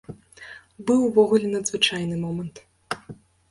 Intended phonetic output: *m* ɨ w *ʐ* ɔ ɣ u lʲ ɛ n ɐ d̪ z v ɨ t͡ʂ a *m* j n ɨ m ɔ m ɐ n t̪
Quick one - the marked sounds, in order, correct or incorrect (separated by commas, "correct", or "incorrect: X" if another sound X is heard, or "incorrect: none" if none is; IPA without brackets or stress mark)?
incorrect: b, incorrect: v, incorrect: none